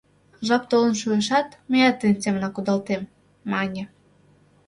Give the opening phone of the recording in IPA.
ʒ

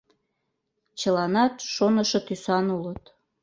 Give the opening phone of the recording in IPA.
t͡ɕ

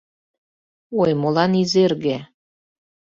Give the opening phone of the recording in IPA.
o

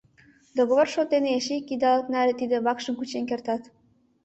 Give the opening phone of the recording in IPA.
d̪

